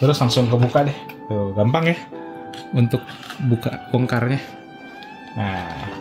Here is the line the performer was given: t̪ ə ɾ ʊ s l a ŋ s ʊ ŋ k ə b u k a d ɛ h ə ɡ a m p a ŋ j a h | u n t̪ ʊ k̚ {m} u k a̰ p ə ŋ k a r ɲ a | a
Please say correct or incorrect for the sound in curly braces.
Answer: incorrect